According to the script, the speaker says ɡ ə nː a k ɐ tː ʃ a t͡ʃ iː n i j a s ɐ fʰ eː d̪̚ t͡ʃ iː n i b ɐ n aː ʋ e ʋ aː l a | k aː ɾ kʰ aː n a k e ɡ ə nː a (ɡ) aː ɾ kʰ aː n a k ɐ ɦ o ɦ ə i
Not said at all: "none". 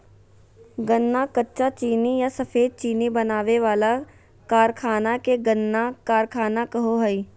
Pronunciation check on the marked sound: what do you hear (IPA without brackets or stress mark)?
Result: k